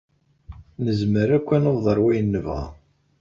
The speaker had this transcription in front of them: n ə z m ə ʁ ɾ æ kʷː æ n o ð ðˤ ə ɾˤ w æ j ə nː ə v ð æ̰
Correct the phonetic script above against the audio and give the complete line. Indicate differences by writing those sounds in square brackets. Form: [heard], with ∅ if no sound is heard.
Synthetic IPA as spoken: n ə z m ə [∅] ɾ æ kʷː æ n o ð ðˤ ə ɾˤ w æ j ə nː ə v [ʁ] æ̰